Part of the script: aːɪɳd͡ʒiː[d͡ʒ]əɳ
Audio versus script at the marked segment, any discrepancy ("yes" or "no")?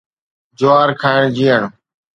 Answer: yes